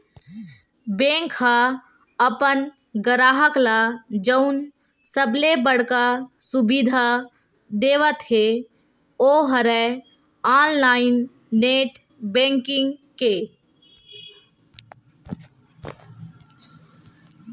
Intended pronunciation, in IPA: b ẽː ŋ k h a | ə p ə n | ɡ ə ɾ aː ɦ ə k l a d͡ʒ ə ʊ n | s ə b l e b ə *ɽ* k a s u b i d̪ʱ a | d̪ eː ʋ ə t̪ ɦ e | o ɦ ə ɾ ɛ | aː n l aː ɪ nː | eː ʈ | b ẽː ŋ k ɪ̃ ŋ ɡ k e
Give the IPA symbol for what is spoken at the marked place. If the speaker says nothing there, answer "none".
ɽ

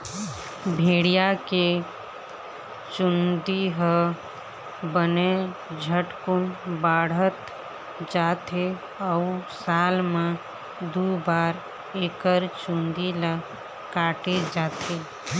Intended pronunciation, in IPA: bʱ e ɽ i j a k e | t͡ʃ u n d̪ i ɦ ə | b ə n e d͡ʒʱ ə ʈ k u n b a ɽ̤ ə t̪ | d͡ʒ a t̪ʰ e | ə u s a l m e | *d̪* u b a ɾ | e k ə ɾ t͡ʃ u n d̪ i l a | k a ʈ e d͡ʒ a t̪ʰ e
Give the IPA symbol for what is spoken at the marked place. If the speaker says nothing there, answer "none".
d̪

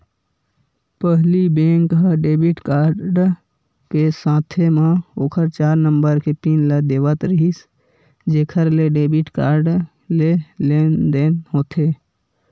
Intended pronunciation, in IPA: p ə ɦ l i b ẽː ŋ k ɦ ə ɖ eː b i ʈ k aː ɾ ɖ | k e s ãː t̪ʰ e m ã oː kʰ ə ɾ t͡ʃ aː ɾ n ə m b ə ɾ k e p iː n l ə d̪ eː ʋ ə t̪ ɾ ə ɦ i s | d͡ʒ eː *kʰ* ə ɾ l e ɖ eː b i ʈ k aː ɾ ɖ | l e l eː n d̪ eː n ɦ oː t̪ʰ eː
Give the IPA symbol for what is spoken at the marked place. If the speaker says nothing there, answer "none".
kʰ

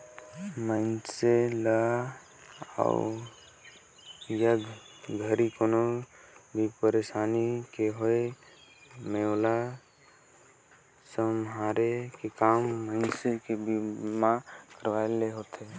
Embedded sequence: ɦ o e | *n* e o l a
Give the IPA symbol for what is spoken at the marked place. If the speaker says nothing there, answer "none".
m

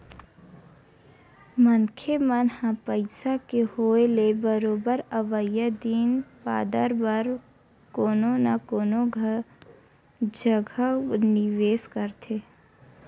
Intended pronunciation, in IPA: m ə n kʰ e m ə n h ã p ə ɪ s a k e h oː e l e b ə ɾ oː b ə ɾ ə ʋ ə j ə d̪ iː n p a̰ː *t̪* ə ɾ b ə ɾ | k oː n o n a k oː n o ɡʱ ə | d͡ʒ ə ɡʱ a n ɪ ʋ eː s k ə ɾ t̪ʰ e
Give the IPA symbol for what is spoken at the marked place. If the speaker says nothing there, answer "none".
d̪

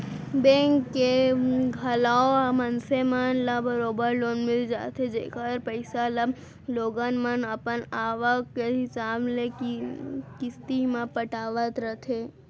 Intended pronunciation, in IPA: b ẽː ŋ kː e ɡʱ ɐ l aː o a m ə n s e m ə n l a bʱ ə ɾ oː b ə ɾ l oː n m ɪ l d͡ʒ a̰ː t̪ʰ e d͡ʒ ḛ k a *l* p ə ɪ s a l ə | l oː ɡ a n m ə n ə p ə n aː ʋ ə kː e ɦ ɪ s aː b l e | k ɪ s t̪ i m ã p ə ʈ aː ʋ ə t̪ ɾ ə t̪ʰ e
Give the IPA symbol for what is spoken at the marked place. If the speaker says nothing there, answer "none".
ɾ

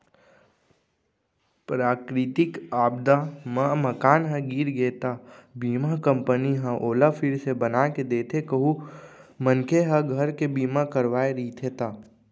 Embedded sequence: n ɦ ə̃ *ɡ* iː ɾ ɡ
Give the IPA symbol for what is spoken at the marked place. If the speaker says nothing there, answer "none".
ɡ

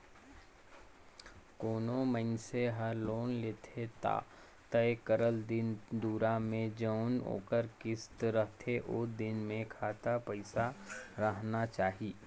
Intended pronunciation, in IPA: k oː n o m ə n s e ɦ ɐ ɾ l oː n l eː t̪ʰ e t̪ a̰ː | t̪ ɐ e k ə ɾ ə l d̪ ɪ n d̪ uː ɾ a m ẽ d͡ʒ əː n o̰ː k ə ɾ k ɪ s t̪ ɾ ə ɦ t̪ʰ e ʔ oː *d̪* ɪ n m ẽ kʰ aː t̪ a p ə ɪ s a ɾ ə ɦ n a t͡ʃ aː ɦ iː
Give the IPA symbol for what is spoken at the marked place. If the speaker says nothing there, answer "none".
d̪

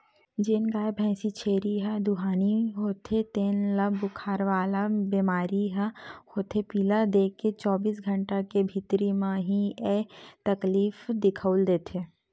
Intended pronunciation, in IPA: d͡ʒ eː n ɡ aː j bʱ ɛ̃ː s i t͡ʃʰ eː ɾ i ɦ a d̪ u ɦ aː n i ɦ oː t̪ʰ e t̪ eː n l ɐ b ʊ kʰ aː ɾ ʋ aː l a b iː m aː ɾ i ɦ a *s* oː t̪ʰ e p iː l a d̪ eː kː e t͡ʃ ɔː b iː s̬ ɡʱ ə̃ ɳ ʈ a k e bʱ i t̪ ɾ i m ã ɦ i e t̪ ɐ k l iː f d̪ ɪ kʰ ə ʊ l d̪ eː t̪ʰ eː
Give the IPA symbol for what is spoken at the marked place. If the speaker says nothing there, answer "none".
h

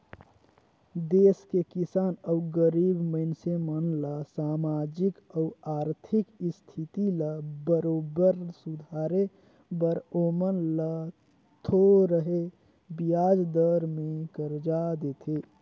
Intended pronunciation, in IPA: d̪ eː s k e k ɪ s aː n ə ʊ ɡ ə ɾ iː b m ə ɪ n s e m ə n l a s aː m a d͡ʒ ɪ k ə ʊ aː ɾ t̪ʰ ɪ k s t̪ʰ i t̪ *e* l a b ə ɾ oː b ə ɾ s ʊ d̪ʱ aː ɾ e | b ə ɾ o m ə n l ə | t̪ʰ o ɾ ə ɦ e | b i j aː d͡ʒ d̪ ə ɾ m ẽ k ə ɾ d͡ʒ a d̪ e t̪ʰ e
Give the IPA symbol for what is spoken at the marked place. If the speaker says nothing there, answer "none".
i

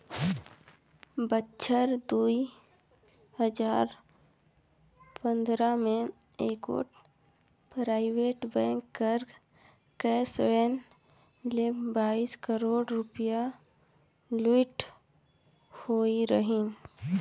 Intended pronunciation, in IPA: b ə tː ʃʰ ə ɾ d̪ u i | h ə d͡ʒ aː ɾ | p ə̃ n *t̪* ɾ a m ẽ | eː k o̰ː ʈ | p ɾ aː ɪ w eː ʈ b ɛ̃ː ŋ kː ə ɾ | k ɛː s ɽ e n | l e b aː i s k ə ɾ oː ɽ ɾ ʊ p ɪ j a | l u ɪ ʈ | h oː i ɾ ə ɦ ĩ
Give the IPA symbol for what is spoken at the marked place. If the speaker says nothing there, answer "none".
d̪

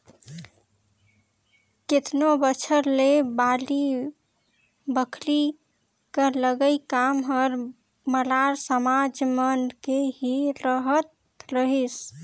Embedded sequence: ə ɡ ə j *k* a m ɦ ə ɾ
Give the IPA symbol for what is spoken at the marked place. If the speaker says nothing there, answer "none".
k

